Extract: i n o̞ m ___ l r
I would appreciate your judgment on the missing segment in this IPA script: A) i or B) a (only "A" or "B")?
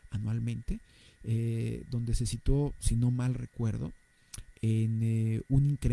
B